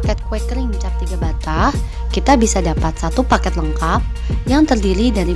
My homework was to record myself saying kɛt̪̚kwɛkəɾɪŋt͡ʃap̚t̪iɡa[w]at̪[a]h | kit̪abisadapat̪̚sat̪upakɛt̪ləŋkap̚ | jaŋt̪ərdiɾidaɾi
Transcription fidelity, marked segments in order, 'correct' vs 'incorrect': incorrect, correct

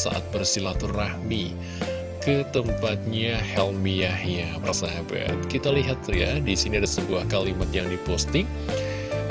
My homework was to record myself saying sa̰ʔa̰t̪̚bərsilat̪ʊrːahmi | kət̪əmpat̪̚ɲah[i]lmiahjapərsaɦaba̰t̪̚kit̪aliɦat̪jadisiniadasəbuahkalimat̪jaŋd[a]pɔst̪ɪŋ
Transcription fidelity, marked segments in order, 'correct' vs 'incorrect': incorrect, incorrect

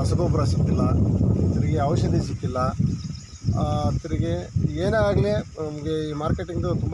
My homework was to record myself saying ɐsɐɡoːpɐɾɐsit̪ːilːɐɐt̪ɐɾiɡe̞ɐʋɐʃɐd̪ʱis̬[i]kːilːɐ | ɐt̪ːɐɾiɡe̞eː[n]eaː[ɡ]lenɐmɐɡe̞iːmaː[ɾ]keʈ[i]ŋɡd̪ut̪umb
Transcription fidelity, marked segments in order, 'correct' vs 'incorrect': correct, correct, correct, correct, correct

